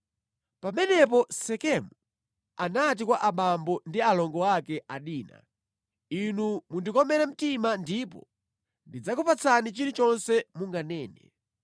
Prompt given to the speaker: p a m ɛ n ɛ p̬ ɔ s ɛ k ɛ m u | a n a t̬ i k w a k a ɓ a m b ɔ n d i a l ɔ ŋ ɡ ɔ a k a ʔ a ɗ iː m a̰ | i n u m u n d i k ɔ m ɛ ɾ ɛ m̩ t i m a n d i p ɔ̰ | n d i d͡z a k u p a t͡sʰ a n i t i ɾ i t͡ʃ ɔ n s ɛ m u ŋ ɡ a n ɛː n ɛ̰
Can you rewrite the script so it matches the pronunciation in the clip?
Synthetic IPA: p a m ɛ n ɛ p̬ ɔ s ɛ k ɛ m u | a n a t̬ i k w a ʔ a ɓ a m b ɔ n d i a l ɔ ŋ ɡ ɔ a k ɛ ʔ a ɗ iː n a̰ | i n u m u n d i k ɔ m ɛ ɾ ɛ m̩ t i m a n d i p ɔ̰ | n d i d͡z a k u p a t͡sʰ a n i t͡ʃ i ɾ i t͡ʃ ɔ n s ɛ m u ŋ ɡ a n ɛː n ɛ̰